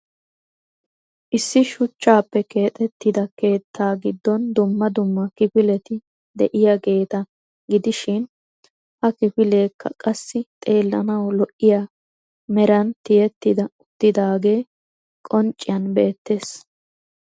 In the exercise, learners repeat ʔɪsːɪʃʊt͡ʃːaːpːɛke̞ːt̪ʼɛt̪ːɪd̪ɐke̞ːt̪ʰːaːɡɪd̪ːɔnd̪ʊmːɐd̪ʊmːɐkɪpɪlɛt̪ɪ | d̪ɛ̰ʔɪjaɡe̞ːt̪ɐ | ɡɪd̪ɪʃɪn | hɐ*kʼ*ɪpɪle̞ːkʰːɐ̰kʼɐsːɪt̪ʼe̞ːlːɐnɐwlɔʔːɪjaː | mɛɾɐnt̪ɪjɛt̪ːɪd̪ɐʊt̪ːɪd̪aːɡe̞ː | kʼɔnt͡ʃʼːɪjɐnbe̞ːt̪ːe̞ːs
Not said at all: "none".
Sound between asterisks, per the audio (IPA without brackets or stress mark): k